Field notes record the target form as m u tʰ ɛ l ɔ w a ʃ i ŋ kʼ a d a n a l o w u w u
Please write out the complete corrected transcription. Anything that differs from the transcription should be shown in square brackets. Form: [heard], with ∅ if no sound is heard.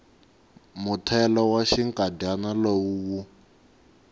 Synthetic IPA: m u tʰ ɛ l ɔ w a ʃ i ŋ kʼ a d a n a l o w u w u